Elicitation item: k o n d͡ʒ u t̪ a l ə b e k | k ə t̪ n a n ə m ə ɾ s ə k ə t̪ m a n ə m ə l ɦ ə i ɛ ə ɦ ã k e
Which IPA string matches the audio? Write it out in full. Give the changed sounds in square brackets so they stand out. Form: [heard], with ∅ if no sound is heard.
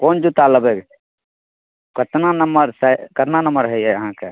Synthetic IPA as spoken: k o n d͡ʒ u t̪ a l ə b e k | k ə t̪ n a n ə m ə ɾ s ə k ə t̪ [n] a n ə m ə [ɾ] ɦ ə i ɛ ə ɦ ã k e